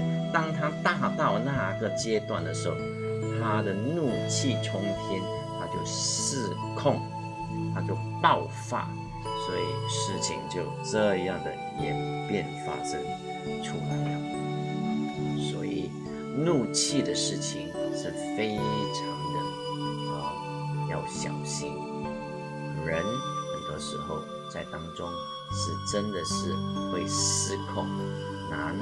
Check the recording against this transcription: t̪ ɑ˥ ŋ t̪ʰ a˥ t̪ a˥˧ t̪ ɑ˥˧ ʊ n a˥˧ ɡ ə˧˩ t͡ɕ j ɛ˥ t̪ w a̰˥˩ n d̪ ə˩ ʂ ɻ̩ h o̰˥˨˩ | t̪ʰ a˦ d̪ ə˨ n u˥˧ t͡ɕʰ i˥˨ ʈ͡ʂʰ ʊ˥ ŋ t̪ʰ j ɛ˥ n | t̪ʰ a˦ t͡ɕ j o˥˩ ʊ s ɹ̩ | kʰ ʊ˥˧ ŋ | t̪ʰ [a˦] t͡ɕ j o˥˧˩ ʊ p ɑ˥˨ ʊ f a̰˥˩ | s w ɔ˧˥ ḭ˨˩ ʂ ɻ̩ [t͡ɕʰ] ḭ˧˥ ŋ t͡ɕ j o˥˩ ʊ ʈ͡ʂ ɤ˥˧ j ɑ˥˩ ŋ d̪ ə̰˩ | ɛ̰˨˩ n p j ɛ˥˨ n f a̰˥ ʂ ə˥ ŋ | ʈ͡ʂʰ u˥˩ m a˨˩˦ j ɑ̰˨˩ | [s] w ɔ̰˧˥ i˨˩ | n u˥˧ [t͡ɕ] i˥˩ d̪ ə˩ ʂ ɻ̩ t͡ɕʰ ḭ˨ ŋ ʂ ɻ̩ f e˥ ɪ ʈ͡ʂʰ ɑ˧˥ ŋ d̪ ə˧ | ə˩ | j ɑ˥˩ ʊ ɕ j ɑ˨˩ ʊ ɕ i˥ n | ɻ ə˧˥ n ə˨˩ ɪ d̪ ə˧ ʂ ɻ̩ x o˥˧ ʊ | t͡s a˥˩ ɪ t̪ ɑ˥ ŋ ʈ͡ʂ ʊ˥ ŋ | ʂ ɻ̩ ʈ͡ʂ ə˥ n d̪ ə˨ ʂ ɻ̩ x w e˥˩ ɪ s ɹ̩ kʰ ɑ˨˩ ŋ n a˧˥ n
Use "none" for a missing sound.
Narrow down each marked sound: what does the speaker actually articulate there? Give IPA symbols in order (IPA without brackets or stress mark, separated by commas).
a˦, t͡ɕʰ, s, t͡ɕʰ